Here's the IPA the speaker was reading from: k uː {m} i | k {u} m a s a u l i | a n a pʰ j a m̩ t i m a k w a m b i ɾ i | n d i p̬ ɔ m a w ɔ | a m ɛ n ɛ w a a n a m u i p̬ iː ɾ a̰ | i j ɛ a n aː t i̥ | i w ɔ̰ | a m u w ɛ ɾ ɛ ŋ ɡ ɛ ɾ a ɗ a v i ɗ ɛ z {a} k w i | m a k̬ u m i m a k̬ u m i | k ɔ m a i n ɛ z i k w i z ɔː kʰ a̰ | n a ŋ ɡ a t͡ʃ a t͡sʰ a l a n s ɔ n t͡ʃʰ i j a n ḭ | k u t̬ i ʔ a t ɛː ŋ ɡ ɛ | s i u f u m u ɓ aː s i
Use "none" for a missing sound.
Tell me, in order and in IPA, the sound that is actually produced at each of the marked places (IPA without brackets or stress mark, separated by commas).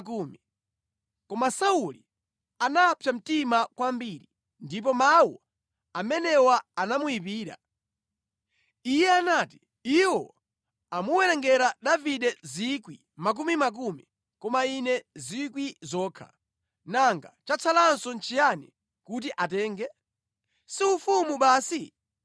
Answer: m, ɔ, i